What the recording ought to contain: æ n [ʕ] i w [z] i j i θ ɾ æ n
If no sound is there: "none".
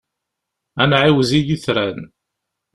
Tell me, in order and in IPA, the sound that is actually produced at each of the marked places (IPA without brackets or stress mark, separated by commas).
ʕ, z